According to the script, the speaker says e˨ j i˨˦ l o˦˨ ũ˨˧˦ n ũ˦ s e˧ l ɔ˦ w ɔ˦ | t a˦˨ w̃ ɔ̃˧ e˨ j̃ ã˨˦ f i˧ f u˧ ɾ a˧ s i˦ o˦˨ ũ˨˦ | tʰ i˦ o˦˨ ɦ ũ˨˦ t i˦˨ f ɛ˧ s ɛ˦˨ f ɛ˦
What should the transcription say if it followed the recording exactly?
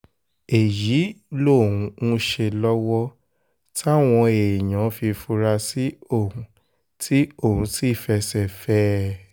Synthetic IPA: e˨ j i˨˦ l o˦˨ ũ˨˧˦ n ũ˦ ʃ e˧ l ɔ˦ w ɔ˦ | t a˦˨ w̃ ɔ̃˧ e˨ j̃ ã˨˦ f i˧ f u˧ ɾ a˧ s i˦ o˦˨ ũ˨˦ | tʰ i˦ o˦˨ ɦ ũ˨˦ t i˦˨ f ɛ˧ s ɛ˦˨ f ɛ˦

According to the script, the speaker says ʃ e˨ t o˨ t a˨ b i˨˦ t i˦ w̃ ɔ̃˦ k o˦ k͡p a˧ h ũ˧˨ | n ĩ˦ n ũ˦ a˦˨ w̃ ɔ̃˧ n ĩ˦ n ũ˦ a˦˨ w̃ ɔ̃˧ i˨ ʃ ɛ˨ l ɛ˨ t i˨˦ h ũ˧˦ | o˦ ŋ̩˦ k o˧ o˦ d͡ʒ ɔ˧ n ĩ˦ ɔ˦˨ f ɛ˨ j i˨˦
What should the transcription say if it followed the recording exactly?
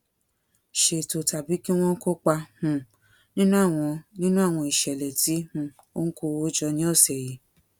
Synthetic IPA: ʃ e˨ t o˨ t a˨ b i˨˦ k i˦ w̃ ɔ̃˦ k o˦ k͡p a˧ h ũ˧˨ | n ĩ˦ n ũ˦ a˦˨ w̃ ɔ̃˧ n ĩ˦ n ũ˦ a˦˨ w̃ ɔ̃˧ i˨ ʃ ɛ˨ l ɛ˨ t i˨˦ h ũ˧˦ | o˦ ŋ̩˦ k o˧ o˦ d͡ʒ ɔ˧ n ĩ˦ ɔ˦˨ s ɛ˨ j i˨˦

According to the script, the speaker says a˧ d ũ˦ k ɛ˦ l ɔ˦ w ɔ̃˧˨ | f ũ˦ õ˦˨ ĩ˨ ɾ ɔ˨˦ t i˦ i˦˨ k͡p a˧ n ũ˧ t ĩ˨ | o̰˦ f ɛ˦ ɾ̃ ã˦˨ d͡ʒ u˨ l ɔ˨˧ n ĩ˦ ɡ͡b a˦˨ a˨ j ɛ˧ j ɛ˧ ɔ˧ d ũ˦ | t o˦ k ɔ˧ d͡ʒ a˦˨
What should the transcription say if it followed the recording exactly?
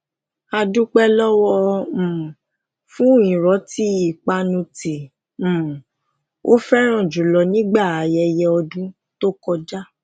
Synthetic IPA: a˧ d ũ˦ k͡p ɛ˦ l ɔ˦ w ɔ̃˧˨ | f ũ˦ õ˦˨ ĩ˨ ɾ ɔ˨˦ t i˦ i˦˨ k͡p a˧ n ũ˧ t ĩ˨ | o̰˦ f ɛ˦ ɾ̃ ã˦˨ d͡ʒ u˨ l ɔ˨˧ n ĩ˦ ɡ͡b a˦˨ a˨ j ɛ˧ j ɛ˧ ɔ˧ d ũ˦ | t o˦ k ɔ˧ d͡ʒ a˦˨

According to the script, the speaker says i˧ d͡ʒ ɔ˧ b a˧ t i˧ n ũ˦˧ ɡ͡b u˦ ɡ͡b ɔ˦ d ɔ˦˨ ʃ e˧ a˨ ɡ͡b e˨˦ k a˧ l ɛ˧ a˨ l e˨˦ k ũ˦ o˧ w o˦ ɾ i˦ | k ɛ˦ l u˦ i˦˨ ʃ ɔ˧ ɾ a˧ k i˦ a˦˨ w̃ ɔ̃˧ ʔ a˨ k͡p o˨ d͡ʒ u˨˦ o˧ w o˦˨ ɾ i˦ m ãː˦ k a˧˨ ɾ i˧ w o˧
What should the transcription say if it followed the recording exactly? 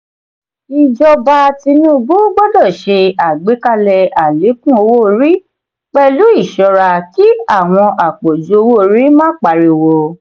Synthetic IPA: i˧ d͡ʒ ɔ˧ b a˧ t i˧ n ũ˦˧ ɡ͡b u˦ ɡ͡b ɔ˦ d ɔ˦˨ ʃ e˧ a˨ ɡ͡b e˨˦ k a˧ l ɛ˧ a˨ l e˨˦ k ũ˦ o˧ w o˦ ɾ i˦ | k͡p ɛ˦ l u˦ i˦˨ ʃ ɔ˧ ɾ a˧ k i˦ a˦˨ w̃ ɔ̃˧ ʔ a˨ k͡p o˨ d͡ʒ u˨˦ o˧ w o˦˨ ɾ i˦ m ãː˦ k͡p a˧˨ ɾ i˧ w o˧

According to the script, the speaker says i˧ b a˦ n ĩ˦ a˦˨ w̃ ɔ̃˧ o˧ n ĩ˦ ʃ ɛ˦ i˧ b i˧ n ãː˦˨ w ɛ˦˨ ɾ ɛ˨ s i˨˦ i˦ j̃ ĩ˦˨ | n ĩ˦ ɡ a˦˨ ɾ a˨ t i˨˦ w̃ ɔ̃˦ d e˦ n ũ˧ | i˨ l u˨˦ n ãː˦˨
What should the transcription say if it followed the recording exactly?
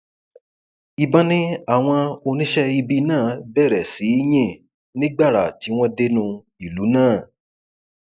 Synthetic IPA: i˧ b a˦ n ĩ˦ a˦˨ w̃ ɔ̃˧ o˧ n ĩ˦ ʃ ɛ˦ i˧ b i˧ n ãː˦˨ b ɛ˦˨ ɾ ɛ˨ s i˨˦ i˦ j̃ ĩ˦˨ | n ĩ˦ ɡ͡b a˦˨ ɾ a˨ t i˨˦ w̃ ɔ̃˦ d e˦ n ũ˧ | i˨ l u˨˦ n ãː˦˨

